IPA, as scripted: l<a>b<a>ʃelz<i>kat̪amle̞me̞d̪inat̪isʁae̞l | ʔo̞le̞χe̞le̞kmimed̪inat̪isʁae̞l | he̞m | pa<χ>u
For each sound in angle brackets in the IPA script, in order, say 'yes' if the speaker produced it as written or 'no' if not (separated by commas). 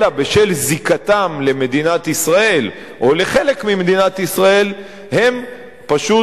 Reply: yes, no, yes, no